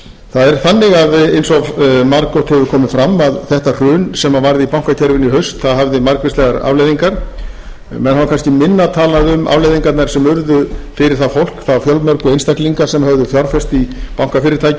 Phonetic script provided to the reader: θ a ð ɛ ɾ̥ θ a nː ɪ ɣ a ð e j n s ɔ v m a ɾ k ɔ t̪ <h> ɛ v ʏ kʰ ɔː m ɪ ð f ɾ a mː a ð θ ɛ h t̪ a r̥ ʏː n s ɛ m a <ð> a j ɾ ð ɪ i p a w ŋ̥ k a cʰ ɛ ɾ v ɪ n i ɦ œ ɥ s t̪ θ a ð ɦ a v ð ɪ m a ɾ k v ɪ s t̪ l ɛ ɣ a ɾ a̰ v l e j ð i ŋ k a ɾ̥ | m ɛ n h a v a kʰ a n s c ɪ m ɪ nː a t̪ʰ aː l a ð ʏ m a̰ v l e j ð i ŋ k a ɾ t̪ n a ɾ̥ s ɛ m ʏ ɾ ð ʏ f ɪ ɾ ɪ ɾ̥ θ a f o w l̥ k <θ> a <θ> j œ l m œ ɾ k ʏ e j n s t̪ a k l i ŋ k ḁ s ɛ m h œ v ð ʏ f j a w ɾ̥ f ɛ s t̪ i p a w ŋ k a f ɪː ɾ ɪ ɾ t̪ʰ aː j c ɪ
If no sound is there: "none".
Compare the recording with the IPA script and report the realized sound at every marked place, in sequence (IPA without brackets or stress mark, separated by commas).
h, v, θ, f